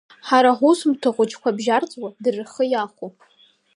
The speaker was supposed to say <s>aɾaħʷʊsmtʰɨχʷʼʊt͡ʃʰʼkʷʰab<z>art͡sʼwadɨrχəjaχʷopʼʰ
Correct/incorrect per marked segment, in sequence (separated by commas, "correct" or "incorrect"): incorrect, incorrect